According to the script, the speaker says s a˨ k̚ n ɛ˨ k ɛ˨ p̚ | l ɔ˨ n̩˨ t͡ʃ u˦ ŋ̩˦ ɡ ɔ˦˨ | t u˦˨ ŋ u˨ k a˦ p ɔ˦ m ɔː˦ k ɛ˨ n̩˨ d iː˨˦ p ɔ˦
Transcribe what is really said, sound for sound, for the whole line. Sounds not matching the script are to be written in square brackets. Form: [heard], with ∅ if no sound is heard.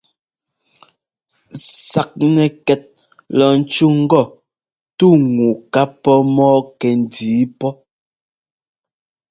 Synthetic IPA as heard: s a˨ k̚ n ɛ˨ k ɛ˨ [t̚] | l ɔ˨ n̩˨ t͡ʃ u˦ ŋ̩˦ ɡ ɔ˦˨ | t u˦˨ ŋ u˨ k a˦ p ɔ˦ m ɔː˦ k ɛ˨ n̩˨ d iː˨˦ p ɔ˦